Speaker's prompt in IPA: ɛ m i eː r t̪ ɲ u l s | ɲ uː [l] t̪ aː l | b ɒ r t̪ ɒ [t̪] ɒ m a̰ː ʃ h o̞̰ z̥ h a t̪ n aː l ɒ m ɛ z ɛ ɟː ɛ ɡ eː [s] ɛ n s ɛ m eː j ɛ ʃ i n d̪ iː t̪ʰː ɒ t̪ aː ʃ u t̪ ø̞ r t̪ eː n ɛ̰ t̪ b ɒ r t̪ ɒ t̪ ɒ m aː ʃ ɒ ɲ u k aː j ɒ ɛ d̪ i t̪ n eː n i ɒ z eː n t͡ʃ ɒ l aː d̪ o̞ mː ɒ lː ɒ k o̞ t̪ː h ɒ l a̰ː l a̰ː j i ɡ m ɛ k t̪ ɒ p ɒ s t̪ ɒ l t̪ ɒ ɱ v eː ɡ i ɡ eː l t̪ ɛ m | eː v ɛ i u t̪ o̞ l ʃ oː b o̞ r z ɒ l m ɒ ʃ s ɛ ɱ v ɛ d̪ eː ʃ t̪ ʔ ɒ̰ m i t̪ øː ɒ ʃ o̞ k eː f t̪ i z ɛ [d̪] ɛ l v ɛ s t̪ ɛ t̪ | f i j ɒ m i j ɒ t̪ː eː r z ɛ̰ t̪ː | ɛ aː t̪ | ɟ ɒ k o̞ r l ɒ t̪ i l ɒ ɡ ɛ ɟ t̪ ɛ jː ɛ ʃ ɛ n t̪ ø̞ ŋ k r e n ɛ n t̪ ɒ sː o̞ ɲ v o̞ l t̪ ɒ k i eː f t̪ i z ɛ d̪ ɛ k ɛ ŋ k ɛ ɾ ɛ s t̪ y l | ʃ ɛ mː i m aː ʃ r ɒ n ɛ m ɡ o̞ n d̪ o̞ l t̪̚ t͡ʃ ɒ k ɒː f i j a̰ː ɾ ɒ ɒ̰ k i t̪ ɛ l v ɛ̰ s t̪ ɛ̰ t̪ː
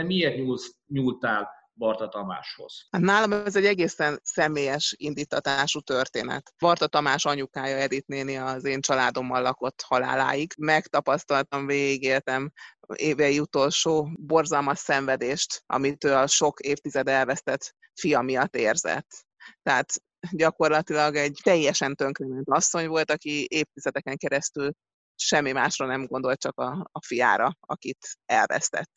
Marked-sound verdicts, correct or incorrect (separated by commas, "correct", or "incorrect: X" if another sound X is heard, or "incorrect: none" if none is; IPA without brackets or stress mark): correct, correct, correct, correct